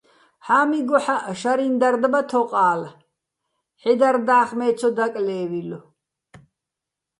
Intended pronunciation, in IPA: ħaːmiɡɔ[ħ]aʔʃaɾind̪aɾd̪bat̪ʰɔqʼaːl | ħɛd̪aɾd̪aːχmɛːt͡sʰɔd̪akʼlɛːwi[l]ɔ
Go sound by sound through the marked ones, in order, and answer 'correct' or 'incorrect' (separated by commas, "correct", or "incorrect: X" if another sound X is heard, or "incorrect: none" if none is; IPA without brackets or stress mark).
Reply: correct, correct